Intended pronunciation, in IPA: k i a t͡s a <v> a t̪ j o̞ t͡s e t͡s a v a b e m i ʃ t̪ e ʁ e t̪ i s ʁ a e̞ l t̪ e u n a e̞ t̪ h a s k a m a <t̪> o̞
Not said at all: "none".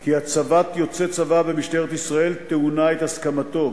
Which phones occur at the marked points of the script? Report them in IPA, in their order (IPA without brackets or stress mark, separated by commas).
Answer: v, t̪